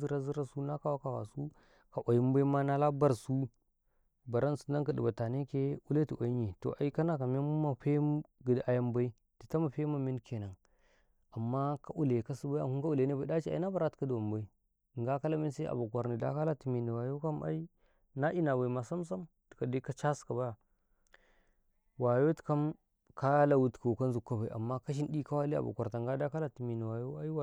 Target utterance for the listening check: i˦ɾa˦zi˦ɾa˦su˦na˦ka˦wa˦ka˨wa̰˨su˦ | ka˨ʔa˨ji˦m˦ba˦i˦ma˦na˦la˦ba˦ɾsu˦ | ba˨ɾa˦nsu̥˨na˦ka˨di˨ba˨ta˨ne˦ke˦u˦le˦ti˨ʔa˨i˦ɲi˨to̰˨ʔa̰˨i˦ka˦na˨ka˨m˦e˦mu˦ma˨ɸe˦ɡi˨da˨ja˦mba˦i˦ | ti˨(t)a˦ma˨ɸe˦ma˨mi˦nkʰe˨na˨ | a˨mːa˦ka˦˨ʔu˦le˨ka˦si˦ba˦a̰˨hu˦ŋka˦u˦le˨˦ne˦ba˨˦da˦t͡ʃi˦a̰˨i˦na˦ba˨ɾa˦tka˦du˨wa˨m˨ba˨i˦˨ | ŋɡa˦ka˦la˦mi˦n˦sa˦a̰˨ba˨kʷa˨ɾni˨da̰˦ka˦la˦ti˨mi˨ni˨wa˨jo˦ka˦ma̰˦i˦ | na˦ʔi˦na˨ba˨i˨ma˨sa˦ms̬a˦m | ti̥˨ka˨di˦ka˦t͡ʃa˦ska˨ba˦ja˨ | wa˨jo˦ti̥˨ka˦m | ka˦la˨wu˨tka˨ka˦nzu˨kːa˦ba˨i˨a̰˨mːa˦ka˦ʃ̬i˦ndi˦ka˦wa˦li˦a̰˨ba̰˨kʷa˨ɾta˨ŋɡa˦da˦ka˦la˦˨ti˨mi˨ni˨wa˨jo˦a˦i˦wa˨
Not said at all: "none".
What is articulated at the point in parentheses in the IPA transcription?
t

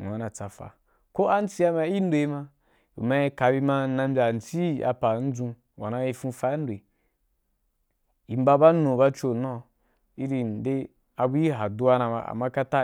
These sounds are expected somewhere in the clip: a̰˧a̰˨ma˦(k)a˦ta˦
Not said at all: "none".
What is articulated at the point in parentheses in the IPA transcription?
k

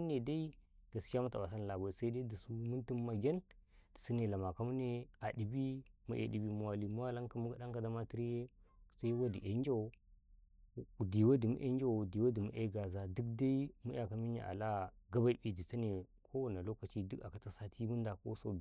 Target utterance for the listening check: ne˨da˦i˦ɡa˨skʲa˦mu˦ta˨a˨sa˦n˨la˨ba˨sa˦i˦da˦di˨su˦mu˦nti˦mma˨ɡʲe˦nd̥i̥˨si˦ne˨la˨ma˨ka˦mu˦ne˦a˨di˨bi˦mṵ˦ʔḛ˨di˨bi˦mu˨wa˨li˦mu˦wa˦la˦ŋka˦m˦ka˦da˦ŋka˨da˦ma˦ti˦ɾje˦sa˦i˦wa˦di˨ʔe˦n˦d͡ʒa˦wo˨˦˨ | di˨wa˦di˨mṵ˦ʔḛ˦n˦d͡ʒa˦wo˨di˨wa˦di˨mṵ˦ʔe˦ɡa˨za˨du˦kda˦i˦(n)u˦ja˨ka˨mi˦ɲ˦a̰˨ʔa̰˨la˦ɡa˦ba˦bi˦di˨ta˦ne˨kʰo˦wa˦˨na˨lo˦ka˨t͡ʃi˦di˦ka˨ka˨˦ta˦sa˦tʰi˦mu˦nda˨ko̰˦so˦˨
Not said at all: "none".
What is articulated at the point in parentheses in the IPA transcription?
m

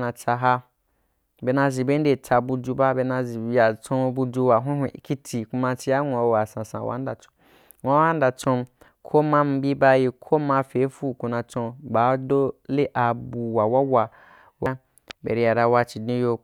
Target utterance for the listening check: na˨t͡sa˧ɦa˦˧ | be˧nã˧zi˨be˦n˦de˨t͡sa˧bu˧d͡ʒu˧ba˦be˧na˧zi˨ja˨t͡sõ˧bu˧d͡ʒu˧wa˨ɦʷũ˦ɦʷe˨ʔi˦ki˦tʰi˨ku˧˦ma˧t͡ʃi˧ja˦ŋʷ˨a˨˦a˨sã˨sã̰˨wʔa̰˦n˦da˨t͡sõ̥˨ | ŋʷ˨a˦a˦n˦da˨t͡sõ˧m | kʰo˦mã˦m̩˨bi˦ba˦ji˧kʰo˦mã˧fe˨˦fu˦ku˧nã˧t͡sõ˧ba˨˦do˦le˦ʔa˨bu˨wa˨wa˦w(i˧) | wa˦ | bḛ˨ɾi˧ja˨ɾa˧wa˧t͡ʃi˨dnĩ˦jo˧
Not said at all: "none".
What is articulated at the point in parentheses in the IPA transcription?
a˧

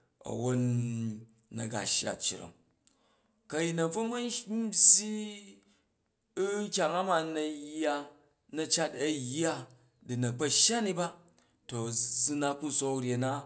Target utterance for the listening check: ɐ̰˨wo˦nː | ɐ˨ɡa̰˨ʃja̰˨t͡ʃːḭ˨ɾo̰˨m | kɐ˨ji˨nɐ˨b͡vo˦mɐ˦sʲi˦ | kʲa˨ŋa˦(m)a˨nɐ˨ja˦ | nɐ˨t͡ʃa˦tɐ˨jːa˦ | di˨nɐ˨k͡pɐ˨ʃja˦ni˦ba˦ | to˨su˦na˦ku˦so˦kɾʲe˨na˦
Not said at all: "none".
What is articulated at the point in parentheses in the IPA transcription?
m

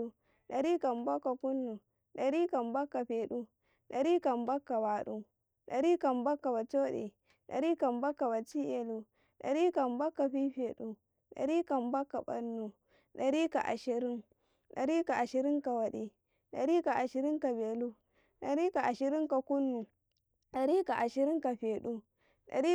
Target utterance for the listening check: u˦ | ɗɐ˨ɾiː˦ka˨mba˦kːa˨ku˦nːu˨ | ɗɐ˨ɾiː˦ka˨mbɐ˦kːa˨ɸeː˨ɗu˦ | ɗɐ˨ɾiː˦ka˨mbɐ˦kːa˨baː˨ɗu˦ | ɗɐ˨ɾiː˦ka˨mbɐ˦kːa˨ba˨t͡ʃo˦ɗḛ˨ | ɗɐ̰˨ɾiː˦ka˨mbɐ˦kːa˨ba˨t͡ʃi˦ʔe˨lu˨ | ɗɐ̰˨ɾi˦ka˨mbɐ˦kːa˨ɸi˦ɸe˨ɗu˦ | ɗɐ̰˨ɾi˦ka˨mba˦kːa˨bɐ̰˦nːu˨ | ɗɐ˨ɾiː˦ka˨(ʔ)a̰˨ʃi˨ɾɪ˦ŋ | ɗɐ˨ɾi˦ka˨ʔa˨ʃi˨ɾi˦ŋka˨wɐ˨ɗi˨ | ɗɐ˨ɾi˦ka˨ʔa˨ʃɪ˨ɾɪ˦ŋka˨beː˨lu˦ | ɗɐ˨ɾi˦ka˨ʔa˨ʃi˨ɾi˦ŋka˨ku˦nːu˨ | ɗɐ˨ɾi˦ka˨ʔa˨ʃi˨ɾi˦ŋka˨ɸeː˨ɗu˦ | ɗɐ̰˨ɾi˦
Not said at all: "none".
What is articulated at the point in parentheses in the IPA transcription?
ʔ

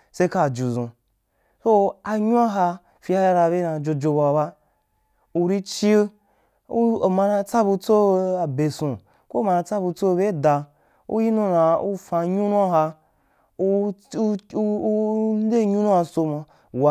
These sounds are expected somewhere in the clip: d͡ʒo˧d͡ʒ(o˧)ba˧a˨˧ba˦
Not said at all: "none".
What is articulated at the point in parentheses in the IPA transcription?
o˧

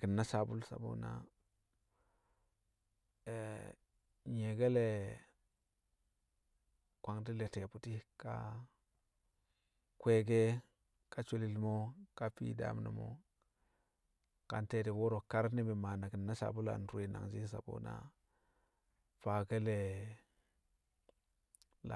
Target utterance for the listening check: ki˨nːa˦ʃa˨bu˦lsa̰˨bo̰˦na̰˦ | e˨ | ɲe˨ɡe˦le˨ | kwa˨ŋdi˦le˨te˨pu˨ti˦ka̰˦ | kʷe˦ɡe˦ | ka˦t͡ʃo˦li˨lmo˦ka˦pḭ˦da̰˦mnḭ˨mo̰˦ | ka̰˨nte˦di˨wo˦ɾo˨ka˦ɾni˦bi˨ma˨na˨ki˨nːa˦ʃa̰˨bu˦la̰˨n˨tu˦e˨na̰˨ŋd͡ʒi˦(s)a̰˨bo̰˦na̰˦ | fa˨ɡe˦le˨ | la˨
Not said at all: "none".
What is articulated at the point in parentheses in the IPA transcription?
s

